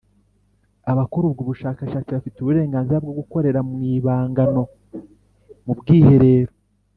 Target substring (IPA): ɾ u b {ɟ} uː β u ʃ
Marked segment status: incorrect: ɡ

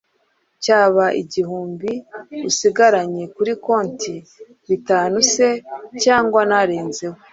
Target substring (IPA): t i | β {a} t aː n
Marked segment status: incorrect: i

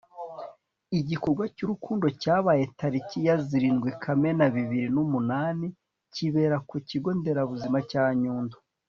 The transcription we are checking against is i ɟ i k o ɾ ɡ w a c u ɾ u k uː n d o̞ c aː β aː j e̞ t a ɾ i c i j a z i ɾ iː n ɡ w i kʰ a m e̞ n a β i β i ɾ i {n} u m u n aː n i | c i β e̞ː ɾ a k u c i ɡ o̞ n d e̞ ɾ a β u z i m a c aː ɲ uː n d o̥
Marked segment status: correct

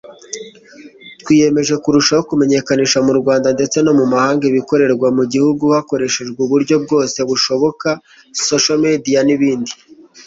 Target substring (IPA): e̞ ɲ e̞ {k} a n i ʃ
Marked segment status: correct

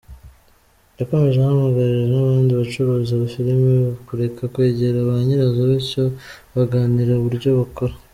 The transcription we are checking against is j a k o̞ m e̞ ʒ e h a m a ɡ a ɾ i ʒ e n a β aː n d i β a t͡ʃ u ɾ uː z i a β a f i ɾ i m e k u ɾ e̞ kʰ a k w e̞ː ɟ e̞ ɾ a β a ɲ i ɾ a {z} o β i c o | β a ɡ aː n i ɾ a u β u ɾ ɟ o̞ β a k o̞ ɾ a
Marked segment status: correct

